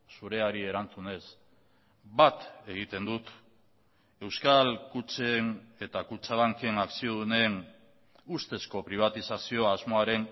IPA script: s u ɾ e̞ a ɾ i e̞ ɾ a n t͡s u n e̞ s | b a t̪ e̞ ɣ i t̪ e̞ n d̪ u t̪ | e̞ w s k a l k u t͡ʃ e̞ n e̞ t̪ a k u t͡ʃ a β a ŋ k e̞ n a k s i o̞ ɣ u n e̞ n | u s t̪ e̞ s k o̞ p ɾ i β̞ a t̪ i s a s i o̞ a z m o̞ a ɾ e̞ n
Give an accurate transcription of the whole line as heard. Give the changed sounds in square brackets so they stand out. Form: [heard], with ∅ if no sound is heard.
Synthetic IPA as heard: s u ɾ e̞ a ɾ i e̞ ɾ a n t͡s u n e̞ s | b a t̪ e̞ ɣ i t̪ e̞ n d̪ u t̪ | e̞ w s k a l k u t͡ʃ e̞ n e̞ t̪ a k u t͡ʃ a β a ŋ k e̞ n a k s i o̞ [ð] u n e̞ n | u s t̪ e̞ s k o̞ p ɾ i β̞ a t̪ i s a s i o̞ a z m o̞ a ɾ e̞ n